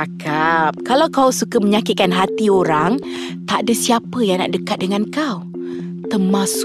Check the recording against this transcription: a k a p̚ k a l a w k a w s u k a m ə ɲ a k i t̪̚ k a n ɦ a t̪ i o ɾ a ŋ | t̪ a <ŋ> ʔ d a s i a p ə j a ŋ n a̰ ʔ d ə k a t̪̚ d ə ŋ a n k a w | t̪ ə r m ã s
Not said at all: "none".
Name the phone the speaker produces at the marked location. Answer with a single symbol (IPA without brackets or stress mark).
none